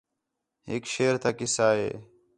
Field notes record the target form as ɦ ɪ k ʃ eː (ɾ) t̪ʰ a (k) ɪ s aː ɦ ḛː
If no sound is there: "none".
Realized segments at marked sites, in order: ɾ, k

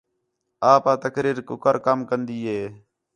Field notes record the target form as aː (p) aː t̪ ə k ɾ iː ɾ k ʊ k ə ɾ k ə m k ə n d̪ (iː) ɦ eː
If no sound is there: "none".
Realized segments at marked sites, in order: p, iː

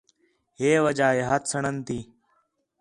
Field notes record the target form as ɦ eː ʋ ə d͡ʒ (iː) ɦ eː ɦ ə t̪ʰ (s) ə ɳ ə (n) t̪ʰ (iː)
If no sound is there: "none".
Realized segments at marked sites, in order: aː, s, n, iː

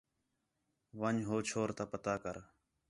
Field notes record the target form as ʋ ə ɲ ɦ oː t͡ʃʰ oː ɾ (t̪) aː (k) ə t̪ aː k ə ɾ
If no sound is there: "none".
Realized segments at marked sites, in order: t̪, p

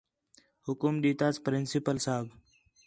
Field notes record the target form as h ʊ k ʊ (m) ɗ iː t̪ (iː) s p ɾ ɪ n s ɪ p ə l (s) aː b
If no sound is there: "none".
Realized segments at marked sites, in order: m, aː, s

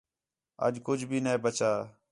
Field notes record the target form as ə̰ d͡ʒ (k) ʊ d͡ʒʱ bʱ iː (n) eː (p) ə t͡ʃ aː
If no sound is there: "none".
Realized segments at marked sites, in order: k, n, b

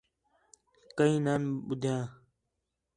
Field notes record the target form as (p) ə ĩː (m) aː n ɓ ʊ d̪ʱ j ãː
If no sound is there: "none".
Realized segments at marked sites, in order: k, n

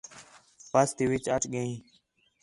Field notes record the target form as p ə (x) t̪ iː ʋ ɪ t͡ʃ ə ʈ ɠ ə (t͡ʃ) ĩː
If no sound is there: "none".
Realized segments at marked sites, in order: s, none

